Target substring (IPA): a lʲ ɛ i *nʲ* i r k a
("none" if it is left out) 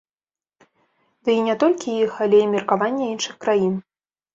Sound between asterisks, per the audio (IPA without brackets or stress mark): mʲ